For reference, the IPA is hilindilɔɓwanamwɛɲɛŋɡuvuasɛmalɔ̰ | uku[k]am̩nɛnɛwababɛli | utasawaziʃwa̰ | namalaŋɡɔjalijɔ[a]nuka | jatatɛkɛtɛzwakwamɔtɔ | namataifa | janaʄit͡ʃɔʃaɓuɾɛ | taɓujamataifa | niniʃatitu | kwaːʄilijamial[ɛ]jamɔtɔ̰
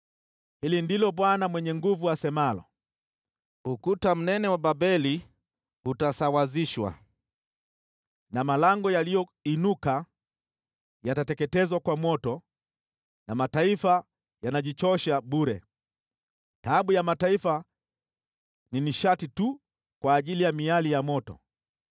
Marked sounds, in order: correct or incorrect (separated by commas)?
incorrect, incorrect, incorrect